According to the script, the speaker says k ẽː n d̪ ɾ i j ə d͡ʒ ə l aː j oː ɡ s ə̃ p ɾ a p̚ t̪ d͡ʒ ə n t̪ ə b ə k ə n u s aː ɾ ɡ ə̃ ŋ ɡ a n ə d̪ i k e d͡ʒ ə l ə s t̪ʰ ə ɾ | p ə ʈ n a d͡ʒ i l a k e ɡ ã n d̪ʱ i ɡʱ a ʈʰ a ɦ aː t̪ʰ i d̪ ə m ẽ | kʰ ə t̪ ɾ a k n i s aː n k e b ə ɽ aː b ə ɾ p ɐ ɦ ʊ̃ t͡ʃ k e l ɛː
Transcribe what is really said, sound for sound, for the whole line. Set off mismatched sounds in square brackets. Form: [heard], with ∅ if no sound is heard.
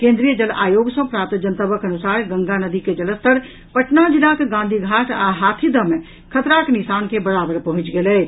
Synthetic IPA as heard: k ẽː n d̪ ɾ i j ə d͡ʒ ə l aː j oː ɡ s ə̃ p ɾ a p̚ t̪ d͡ʒ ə n t̪ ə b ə k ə n u s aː ɾ ɡ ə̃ ŋ ɡ a n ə d̪ i k e d͡ʒ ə l ə s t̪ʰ ə ɾ | p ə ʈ n a d͡ʒ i l a k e ɡ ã n d̪ʱ i ɡʱ a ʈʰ a ɦ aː t̪ʰ i d̪ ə m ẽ | kʰ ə t̪ ɾ a k n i s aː n k e b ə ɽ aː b ə ɾ p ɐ ɦ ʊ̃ t͡ʃ [ɡ] e l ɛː